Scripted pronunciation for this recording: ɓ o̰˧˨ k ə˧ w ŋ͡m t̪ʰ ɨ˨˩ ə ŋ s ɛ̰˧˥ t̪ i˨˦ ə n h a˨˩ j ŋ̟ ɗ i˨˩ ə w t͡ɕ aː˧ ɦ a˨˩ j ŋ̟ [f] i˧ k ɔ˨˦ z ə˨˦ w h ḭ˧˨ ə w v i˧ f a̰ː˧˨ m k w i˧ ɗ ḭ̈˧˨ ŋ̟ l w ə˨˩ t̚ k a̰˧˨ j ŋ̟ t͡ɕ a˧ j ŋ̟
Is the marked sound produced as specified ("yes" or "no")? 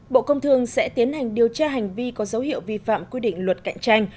no